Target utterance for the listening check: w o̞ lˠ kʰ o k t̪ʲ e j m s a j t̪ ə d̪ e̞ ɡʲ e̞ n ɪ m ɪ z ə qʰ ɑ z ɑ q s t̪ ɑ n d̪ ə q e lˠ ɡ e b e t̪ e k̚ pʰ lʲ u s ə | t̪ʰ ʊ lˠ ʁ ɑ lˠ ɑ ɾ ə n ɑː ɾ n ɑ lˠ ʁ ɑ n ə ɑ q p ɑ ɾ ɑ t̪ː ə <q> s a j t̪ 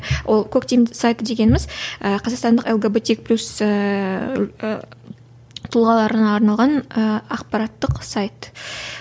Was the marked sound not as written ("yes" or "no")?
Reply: no